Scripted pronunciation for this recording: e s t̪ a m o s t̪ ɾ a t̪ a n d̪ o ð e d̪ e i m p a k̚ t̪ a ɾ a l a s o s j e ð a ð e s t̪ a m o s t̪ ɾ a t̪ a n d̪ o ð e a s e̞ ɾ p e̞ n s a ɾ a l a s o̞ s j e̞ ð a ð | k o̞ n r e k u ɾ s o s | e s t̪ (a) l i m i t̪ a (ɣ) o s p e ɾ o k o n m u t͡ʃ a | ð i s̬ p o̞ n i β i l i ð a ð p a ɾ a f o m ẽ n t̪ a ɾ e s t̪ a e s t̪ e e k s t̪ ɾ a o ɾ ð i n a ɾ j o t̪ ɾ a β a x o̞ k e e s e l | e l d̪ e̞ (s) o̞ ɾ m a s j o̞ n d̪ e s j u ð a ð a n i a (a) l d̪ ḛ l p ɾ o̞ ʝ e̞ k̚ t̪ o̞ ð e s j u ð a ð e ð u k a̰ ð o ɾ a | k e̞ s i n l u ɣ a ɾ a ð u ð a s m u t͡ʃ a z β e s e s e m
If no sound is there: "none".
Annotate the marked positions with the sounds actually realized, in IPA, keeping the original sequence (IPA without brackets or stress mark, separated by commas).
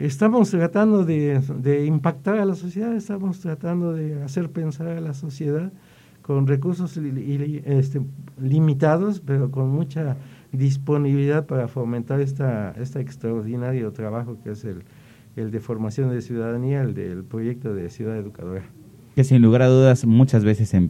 e, ð, f, e